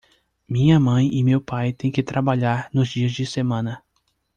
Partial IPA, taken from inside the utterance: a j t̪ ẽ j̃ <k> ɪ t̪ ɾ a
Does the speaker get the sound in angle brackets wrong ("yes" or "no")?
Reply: no